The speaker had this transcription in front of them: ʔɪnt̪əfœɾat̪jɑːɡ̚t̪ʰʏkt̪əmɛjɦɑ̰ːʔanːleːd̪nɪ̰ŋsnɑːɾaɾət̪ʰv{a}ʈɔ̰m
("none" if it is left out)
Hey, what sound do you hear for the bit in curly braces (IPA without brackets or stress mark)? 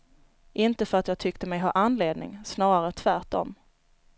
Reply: æ